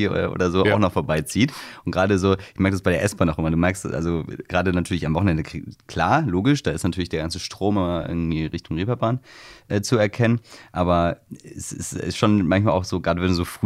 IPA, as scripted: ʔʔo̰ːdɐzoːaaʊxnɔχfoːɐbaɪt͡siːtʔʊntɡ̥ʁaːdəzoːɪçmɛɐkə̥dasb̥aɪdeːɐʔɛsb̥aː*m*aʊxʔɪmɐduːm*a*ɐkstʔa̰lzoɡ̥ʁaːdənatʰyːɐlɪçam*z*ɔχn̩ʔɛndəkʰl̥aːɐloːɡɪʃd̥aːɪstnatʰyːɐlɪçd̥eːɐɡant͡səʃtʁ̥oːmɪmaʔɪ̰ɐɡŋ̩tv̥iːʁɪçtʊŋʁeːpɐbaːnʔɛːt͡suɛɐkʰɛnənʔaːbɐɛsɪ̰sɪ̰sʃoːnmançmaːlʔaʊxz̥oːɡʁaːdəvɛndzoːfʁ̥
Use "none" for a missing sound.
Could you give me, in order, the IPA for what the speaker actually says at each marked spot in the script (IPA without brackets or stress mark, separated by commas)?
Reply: n, ɛ, v